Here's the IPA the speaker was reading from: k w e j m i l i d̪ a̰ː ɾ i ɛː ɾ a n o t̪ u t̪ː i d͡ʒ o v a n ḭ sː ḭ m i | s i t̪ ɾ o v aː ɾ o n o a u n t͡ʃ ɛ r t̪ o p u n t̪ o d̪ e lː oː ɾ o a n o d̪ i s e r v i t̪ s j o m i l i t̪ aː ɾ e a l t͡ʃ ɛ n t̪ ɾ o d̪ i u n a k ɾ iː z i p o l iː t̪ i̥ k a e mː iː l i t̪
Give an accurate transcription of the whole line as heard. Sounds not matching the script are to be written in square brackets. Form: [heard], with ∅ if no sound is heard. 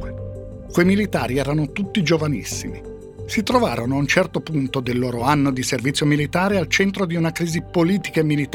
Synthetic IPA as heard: k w e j m i l i [t̪] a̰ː ɾ i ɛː ɾ a n o t̪ u t̪ː i d͡ʒ o v a n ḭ sː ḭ m i | s i t̪ ɾ o v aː ɾ o n o a u n t͡ʃ ɛ r t̪ o p u n t̪ o d̪ e lː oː ɾ o a [nː] o d̪ i s e r v i t̪ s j o m i l i t̪ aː ɾ e a l t͡ʃ ɛ n t̪ ɾ o d̪ i u n a k ɾ iː z i p o l iː t̪ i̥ k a e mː [i] l i t̪